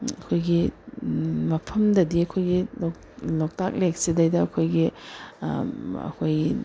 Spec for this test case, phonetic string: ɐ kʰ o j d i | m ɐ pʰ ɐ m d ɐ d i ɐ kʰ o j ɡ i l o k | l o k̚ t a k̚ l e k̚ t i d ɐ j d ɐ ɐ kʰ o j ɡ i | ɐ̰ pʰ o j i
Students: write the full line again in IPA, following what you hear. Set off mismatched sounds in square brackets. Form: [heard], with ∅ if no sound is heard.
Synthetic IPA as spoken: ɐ kʰ o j [ɡ] i | m ɐ pʰ ɐ m d ɐ d i ɐ kʰ o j ɡ i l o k | l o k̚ t a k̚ l e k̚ [s] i d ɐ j d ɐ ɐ kʰ o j ɡ i | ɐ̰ [kʰ] o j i

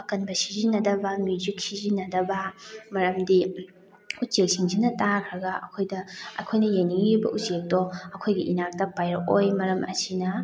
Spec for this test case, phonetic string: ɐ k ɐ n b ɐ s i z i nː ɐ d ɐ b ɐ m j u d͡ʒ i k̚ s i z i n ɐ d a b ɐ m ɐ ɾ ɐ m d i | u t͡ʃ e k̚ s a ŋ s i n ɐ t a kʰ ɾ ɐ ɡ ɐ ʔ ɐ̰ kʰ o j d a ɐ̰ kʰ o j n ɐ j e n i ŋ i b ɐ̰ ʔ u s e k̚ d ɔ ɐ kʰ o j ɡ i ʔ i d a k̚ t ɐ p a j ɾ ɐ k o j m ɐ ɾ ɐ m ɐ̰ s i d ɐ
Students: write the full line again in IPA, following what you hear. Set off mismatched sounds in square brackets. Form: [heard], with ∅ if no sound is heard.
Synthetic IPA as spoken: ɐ k ɐ n b ɐ s i z i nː ɐ d ɐ b ɐ m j u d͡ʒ i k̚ s i z i n ɐ d [ɐ] b ɐ m ɐ ɾ ɐ m d i | u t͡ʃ e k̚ s [i] ŋ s i n ɐ t a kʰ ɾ ɐ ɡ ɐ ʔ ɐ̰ kʰ o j d [ɐ] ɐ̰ kʰ o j n ɐ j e n i ŋ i b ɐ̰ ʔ u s e k̚ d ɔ ɐ kʰ o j ɡ i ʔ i [n] a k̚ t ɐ p a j ɾ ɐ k o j m ɐ ɾ ɐ m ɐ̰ s i [n] ɐ

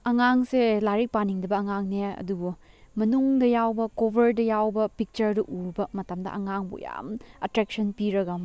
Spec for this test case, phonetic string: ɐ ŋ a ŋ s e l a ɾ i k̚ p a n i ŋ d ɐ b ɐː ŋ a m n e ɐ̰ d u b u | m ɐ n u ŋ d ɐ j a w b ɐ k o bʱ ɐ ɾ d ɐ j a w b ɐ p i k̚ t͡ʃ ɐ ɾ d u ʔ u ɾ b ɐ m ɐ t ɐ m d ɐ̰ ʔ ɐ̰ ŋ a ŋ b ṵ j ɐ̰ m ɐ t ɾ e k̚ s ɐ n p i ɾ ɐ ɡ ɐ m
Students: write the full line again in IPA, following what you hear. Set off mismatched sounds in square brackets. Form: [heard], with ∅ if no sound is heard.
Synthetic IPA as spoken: ɐ ŋ a ŋ s e l a ɾ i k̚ p a n i ŋ d ɐ b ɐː ŋ a [ŋ] n e ɐ̰ d u b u | m ɐ n u ŋ d ɐ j a w b ɐ k o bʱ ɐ ɾ d ɐ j a w b ɐ p i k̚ t͡ʃ ɐ ɾ d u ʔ u ɾ b ɐ m ɐ t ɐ m d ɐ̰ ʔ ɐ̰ ŋ a ŋ b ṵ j [a̰] m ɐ t ɾ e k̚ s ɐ n p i ɾ ɐ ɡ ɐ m

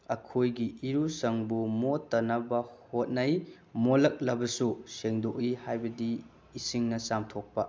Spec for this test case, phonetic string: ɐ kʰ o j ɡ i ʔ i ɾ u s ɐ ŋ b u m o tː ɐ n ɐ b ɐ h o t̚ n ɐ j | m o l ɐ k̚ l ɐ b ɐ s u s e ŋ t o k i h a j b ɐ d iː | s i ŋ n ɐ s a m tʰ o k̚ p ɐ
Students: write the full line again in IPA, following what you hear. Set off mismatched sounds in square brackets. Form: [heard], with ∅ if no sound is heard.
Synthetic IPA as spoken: ɐ kʰ o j ɡ i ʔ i ɾ u s ɐ ŋ b u m o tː ɐ n ɐ b ɐ h o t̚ n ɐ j | m o l ɐ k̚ l ɐ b ɐ s u s e ŋ [d] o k i h a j b ɐ d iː | s i ŋ n ɐ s a m tʰ o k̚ p ɐ

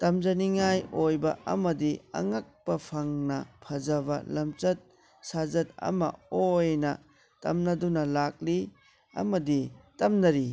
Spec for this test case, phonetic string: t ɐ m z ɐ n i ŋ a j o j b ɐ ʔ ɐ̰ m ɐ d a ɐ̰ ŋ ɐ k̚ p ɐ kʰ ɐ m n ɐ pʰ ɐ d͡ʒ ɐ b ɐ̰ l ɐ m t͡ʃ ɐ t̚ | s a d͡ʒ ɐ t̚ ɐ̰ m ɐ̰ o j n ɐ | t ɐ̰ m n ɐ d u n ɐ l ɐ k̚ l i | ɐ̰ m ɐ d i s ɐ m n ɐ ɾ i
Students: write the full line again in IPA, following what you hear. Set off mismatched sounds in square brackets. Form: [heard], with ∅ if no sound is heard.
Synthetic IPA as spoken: t ɐ m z ɐ n i ŋ a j o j b ɐ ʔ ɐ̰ m ɐ d [i] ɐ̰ ŋ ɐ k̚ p ɐ [pʰ] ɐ [ŋ] n ɐ pʰ ɐ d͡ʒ ɐ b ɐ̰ l ɐ m t͡ʃ ɐ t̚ | s a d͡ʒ ɐ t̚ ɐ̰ m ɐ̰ o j n ɐ | t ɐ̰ m n ɐ d u n ɐ l [a] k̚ l i | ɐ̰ m ɐ d i [t] ɐ m n ɐ ɾ i

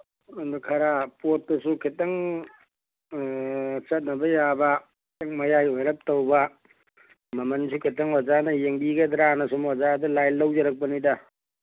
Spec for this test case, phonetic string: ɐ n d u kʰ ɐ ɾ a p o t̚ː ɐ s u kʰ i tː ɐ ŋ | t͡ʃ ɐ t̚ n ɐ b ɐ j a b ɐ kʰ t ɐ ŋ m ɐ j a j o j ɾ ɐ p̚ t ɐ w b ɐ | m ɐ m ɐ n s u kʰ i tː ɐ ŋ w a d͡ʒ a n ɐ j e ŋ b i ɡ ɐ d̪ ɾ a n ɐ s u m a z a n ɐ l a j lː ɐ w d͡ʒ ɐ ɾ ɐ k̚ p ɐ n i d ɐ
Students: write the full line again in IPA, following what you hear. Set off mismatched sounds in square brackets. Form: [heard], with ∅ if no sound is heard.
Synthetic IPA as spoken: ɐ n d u kʰ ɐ ɾ a p o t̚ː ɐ s u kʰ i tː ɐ ŋ | t͡ʃ ɐ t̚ n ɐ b ɐ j a b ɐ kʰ t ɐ ŋ m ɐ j a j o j ɾ ɐ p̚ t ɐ w b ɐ | m ɐ m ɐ n s u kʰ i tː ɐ ŋ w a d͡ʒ a n ɐ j e ŋ b i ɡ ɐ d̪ ɾ a n ɐ s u m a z a [d] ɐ l a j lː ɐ w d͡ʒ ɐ ɾ ɐ k̚ p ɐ n i d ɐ

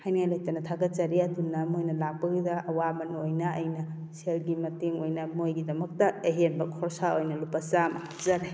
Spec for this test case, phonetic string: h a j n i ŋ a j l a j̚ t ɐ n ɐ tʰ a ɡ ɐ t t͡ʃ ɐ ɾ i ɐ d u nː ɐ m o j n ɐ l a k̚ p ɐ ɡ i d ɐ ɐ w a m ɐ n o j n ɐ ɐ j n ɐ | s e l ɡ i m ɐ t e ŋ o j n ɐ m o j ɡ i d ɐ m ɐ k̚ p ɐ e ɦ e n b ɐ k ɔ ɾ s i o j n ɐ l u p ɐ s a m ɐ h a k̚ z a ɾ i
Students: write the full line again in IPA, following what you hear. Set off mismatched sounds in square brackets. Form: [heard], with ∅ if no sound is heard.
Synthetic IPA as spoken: h a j n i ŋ a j l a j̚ t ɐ n ɐ tʰ a ɡ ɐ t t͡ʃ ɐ ɾ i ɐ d u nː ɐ m o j n ɐ l a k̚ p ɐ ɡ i d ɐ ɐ w a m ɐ n o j n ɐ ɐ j n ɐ | s e l ɡ i m ɐ t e ŋ o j n ɐ m o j ɡ i d ɐ m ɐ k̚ [t] ɐ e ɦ e n b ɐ [kʰ] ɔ ɾ s [a] o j n ɐ l u p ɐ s a m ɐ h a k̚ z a ɾ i

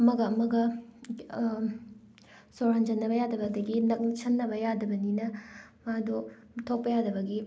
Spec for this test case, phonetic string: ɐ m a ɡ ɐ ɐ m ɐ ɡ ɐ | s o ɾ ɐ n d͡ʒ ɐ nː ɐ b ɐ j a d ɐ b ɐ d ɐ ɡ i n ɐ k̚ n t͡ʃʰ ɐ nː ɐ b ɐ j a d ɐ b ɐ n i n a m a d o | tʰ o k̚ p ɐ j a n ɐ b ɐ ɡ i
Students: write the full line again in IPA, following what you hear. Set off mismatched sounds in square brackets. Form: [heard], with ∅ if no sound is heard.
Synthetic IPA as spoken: ɐ m [ɐ] ɡ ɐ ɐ m ɐ ɡ ɐ | s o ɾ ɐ n d͡ʒ ɐ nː ɐ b ɐ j a d ɐ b ɐ d ɐ ɡ i n ɐ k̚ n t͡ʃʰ ɐ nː ɐ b ɐ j a d ɐ b ɐ n i n [ɐ] m a d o | tʰ o k̚ p ɐ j a [d] ɐ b ɐ ɡ i

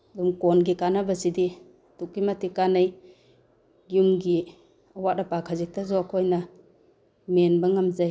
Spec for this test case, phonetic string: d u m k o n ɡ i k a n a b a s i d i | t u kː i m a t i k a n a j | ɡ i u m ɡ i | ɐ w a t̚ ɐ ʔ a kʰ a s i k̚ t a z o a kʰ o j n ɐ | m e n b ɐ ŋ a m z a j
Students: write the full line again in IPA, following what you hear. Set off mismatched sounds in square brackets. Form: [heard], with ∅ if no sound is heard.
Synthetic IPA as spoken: d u m k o n ɡ i k a n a b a s i d i | t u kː i m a t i k a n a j | ɡ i u m ɡ i | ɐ w a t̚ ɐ [p] a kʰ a [z] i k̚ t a z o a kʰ o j n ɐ | m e n b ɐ ŋ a m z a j

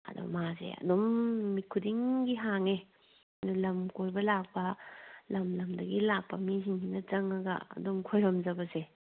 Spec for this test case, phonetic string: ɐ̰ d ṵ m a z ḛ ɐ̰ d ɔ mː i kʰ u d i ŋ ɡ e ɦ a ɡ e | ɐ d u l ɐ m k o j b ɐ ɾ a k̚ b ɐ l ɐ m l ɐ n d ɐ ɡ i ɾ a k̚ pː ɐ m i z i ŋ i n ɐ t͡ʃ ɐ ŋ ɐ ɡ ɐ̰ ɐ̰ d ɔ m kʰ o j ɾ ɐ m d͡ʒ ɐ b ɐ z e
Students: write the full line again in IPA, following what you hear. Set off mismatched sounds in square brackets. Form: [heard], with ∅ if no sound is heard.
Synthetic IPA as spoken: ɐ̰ d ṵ m a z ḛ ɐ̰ d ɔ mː i kʰ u d i ŋ ɡ [i] ɦ a [ŋ] e | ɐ d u l ɐ m k o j b ɐ [l] a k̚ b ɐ l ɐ m l ɐ [m] d ɐ ɡ i [l] a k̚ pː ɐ m i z i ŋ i n ɐ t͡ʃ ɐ ŋ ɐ ɡ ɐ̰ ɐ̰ d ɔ m kʰ o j ɾ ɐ m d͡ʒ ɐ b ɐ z e

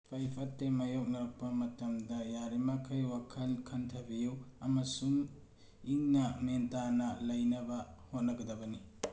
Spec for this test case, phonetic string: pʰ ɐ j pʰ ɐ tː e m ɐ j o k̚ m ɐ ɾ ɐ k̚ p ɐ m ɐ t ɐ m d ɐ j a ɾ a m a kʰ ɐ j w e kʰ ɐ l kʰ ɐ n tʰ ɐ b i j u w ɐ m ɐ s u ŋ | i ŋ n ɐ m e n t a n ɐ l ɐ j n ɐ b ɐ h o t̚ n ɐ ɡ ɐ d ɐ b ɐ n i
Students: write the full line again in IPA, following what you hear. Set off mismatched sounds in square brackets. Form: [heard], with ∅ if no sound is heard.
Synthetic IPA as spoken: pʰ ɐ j pʰ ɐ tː e m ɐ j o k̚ [n] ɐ ɾ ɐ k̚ p ɐ m ɐ t ɐ m d ɐ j a ɾ [i] m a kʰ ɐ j w [a] kʰ ɐ l kʰ ɐ n tʰ ɐ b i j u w ɐ m ɐ s u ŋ | i ŋ n ɐ m e n t a n ɐ l ɐ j n ɐ b ɐ h o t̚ n ɐ ɡ ɐ d ɐ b ɐ n i

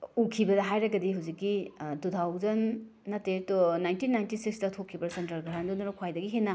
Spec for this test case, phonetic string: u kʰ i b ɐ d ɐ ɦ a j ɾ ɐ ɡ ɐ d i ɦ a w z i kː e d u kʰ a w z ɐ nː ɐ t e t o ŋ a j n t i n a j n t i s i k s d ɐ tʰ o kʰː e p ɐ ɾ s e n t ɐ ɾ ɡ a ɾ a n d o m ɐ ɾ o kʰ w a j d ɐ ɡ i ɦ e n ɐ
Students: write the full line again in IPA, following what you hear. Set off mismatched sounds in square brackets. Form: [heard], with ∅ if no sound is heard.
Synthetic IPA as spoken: u kʰ i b ɐ d ɐ ɦ a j ɾ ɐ ɡ ɐ d i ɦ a w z i kː [i] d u [tʰ] a w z ɐ nː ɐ t e t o [n] a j n t i n a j n t i s i k s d ɐ tʰ o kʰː [i] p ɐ ɾ s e n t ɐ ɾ ɡ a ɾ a n d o [n] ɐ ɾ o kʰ w a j d ɐ ɡ i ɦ e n ɐ

